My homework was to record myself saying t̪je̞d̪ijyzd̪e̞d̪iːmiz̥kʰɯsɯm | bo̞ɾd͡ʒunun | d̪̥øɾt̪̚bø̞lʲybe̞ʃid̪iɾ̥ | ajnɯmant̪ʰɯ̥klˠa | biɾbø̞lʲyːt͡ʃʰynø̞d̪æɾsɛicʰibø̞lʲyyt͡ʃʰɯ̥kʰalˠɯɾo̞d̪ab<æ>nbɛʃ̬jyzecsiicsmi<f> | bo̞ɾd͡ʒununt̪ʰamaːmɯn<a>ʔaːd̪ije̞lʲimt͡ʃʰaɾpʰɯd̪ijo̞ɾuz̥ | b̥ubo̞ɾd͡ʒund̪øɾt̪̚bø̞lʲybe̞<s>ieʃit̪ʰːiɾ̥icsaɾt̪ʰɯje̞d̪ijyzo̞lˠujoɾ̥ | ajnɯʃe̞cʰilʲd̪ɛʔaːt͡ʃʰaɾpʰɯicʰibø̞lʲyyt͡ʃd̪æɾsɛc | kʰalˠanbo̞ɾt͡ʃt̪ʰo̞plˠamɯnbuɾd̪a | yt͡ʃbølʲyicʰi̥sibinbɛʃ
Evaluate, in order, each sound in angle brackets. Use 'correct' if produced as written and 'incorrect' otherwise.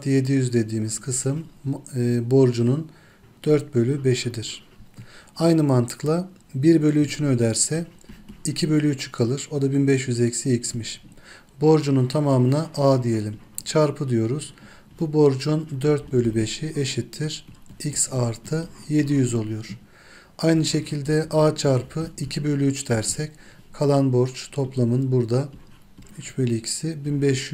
incorrect: i, incorrect: ʃ, correct, incorrect: ʃ

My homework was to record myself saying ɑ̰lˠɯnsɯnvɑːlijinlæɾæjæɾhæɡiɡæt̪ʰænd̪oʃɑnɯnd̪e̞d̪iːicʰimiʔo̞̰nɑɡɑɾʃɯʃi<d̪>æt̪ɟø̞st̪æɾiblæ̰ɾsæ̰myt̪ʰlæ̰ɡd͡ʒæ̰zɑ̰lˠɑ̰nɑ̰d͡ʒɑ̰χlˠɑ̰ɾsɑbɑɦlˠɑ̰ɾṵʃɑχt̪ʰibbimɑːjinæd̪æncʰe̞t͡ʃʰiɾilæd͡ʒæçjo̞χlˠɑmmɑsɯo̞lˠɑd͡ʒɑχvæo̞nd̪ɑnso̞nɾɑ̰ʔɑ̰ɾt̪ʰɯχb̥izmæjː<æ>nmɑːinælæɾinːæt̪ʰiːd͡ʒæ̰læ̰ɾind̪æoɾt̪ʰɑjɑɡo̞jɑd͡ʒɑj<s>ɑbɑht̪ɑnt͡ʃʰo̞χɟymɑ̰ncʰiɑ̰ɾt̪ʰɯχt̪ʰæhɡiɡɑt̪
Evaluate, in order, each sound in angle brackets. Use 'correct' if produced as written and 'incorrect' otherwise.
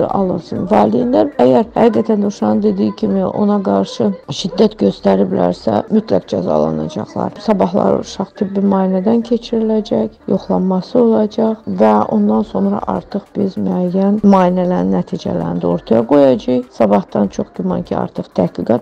incorrect: d̪ː, correct, correct

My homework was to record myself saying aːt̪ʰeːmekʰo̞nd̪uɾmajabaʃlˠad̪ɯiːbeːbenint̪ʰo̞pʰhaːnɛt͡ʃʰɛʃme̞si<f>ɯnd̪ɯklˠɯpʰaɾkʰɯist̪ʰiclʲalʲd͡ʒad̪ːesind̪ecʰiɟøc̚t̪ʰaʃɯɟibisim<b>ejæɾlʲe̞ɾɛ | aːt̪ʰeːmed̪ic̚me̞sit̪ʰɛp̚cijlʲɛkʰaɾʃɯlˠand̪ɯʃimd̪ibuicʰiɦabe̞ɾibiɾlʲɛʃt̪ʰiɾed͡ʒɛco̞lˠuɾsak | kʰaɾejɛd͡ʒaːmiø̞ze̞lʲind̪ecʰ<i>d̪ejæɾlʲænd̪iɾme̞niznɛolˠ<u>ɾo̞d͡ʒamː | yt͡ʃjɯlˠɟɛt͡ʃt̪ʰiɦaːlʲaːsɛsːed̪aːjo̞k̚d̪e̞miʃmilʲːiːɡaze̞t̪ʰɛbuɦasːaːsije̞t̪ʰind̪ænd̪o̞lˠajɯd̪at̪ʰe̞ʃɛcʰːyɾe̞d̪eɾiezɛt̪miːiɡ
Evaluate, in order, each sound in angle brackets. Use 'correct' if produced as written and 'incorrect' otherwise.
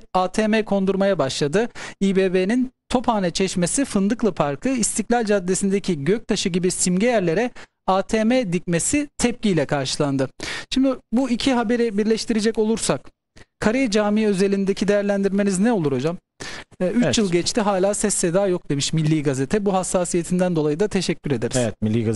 correct, incorrect: ɟ, correct, correct

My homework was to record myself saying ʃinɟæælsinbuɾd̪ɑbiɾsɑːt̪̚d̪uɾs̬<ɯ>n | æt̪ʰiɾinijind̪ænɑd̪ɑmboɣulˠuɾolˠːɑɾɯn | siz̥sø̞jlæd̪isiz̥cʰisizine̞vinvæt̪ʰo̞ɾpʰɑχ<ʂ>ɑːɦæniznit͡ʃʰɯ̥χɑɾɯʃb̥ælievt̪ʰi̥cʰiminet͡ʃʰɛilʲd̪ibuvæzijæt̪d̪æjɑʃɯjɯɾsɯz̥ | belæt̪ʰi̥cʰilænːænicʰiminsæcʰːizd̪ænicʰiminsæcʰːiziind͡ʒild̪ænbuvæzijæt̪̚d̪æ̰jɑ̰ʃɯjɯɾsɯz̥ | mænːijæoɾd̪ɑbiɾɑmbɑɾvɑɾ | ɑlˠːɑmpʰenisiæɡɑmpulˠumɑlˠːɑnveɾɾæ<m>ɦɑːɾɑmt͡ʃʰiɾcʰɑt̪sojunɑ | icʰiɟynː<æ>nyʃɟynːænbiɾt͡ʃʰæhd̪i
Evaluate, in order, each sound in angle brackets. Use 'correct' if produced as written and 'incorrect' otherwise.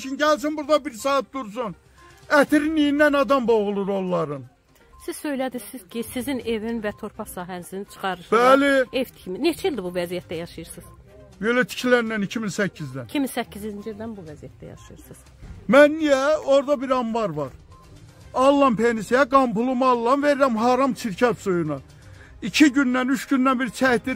incorrect: u, incorrect: s, correct, correct

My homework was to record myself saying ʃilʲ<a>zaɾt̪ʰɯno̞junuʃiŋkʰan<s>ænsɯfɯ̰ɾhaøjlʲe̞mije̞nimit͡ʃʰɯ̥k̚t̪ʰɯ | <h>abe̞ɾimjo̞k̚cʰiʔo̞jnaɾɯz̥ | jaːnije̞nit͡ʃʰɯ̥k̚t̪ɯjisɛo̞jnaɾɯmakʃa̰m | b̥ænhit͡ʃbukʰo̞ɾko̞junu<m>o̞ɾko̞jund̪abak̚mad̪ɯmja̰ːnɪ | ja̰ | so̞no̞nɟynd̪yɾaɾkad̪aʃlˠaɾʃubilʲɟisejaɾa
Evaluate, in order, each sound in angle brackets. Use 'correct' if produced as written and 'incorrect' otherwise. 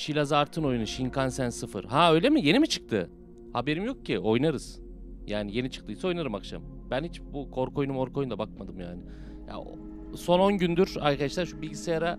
correct, correct, correct, correct

